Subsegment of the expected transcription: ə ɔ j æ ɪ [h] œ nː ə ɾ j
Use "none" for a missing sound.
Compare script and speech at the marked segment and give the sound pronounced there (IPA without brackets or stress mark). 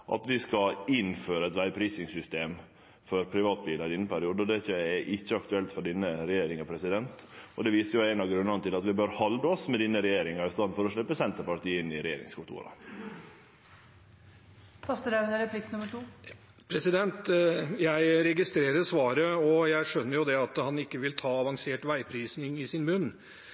ʂ